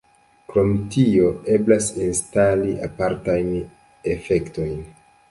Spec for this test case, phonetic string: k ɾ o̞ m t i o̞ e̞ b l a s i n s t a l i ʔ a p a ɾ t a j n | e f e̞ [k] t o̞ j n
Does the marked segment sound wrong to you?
no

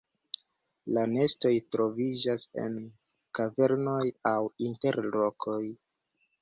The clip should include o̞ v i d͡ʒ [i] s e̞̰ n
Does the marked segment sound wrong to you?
yes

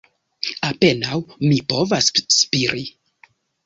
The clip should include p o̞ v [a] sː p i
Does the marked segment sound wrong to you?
no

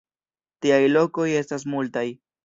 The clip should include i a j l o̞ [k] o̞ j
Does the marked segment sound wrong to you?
no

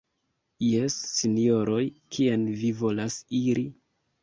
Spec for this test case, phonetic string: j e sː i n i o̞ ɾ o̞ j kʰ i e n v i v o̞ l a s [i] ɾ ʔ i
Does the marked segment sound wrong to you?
no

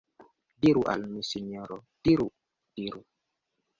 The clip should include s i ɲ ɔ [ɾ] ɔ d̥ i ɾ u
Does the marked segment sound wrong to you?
no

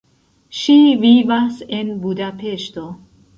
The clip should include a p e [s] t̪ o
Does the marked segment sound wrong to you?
yes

